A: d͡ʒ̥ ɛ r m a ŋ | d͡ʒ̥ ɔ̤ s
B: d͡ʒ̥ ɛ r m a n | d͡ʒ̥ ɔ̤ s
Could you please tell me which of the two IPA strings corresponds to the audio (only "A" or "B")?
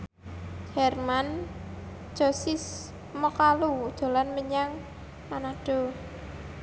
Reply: B